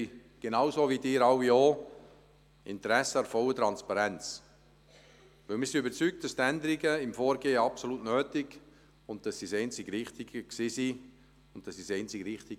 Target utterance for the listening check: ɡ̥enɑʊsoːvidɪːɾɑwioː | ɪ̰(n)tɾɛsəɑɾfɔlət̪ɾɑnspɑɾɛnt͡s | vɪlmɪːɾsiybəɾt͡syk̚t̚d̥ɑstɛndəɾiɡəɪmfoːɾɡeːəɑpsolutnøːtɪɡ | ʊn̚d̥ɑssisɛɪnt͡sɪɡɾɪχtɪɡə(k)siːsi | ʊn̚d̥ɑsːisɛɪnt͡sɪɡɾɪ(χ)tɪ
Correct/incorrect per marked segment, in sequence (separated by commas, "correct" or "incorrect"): correct, correct, correct